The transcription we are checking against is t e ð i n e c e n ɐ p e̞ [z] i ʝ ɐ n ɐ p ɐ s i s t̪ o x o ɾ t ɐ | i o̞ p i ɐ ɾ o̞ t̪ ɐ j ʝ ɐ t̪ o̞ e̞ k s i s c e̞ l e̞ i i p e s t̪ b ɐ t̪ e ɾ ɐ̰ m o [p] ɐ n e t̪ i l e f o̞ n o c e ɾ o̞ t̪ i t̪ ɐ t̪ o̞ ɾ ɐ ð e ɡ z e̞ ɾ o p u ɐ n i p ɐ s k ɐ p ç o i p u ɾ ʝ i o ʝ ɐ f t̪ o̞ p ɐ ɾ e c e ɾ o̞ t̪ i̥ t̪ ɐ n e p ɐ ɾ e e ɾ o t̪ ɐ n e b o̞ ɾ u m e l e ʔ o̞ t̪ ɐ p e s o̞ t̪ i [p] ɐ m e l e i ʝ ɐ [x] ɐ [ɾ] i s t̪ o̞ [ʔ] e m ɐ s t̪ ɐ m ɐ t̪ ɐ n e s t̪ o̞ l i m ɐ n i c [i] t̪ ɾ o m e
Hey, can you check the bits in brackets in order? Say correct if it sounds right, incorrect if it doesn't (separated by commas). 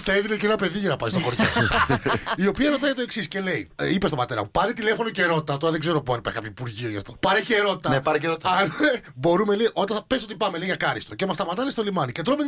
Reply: incorrect, correct, correct, incorrect, correct, incorrect, incorrect